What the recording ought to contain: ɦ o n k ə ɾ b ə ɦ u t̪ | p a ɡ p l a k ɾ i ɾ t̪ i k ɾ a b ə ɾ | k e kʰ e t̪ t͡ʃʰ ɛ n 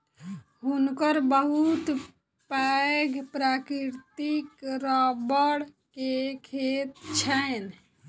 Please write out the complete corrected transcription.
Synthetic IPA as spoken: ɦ u n k ə ɾ b ə ɦ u t̪ | p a ɡ p ɾ a k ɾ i ɾ t̪ i k ɾ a b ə ɽ | k e kʰ e t̪ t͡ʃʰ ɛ n